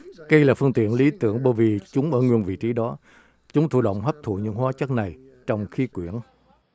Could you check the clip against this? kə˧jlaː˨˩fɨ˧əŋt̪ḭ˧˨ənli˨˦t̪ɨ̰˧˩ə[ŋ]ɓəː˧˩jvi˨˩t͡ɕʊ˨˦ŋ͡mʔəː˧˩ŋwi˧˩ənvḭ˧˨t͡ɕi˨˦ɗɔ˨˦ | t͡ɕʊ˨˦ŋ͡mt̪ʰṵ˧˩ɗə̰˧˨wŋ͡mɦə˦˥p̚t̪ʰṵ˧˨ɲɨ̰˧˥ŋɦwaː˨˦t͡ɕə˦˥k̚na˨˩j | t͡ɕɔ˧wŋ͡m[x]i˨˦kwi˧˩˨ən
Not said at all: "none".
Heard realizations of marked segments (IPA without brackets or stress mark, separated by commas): ŋ, x